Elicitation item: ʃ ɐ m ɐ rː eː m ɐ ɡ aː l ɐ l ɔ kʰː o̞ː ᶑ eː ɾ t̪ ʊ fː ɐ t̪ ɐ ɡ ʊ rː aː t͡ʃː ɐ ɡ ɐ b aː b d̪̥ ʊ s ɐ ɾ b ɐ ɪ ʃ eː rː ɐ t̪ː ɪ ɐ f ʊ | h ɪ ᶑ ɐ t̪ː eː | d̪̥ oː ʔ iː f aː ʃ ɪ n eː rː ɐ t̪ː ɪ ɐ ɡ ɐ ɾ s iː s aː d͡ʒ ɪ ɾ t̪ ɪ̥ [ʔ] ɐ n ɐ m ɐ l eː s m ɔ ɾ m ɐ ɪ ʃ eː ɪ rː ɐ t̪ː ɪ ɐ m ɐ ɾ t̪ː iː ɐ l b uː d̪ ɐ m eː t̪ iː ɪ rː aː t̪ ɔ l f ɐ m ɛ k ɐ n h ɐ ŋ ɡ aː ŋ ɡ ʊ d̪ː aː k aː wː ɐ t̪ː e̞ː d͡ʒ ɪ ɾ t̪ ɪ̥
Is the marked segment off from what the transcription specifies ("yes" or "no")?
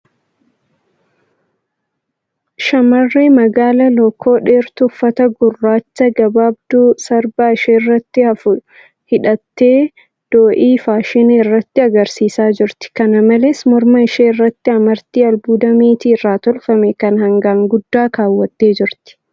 yes